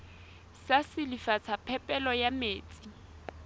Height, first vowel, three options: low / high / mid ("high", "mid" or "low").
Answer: low